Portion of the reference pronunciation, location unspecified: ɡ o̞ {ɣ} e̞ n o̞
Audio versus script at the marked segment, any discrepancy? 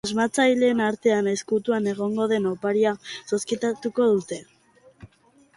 yes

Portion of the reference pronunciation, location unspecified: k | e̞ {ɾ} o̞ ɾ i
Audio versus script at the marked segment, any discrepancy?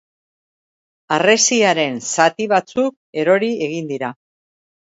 no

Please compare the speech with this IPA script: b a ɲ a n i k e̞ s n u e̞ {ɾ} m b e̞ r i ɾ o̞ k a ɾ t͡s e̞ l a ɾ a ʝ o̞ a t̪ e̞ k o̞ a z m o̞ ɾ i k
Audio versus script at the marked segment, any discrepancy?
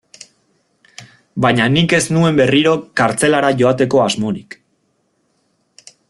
yes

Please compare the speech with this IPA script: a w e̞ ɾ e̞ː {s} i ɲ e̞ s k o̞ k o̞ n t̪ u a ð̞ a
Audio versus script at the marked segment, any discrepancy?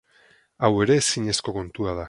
no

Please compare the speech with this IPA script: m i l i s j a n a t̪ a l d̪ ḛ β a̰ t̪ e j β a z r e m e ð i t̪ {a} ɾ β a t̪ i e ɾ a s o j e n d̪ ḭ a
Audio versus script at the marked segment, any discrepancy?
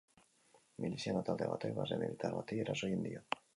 no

